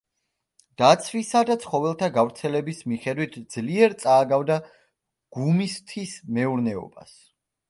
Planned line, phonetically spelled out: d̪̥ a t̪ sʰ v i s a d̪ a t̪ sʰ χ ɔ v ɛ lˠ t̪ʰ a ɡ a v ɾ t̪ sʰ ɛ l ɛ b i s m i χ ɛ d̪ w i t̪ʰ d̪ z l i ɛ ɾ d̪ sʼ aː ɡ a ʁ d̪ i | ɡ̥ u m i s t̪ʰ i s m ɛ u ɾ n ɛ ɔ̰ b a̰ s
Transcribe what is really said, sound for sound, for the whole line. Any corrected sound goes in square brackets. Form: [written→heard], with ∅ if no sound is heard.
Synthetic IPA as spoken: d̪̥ a t̪ sʰ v i s a d̪ a t̪ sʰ χ ɔ v ɛ lˠ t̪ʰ a ɡ a v ɾ t̪ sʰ ɛ l ɛ b i s m i χ ɛ d̪ w i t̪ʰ d̪ z l i ɛ ɾ [d̪→t̪] sʼ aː ɡ a [ʁ→v] d̪ [i→a] | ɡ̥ u m i s t̪ʰ i s m ɛ u ɾ n ɛ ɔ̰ b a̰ s